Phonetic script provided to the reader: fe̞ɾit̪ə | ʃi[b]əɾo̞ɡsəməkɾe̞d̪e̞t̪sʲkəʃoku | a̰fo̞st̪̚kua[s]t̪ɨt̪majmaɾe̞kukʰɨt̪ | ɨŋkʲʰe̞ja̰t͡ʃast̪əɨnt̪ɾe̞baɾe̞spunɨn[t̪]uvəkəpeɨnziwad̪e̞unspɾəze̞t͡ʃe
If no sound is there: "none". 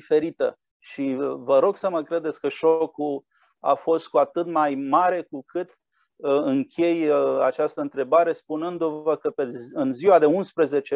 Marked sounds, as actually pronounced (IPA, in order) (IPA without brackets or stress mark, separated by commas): v, none, d̪